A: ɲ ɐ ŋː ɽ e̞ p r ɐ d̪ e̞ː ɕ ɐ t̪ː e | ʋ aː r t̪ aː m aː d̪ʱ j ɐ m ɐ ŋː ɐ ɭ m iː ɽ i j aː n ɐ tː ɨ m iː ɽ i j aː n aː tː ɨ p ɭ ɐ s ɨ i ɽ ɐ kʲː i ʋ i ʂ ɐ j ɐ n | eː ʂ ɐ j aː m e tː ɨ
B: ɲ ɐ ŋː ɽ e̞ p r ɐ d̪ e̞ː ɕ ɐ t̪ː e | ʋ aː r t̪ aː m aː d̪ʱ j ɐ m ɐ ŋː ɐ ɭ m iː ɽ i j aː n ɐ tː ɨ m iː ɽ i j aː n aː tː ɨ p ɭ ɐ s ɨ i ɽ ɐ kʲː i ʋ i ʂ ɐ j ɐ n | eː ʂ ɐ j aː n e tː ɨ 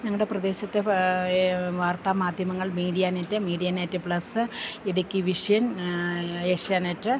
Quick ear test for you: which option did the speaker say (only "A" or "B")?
B